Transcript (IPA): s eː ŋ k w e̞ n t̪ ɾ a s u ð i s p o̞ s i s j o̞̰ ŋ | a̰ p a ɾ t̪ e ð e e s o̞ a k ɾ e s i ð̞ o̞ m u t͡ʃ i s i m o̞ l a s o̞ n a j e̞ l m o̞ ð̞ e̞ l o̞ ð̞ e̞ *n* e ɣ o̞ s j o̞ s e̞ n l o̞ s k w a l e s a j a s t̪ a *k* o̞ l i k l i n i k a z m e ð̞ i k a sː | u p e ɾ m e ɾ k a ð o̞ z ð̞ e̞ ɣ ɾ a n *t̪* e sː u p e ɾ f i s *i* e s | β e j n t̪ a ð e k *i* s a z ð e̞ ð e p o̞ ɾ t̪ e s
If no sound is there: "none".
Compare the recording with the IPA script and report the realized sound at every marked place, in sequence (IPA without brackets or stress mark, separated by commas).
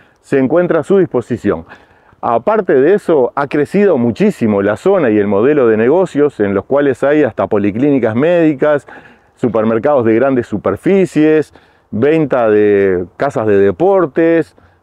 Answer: n, p, d̪, j, a